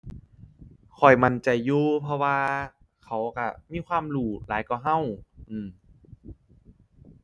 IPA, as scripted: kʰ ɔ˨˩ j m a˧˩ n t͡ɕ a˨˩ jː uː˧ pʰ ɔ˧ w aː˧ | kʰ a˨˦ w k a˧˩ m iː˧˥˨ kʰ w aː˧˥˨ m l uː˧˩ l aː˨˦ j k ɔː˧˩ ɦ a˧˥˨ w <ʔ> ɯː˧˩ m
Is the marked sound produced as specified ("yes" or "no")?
yes